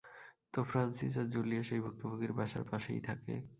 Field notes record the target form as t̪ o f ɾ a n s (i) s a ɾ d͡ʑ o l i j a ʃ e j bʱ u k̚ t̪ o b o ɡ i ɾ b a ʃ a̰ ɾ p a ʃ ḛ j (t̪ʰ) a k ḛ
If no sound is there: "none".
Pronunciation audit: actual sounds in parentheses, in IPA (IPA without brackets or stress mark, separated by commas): i, t̪ʰ